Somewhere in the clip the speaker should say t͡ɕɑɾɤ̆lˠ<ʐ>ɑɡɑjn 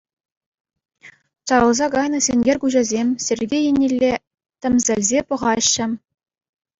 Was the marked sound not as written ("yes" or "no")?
yes